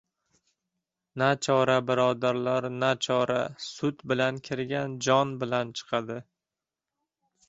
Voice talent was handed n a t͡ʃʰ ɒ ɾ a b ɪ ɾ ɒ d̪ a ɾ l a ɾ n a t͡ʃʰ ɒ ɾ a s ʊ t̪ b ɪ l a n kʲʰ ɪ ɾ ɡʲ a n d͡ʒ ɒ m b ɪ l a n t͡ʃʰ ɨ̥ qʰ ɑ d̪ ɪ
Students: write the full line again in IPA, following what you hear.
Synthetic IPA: n a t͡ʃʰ ɒ ɾ a b ɪ ɾ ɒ d̪ a ɾ l a ɾ n a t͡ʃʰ ɒ ɾ a s ʊ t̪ b ɪ l a n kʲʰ ɪ ɾ ɡʲ a n d͡ʒ ɒ n b ɪ l a n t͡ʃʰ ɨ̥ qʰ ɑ d̪ ɪ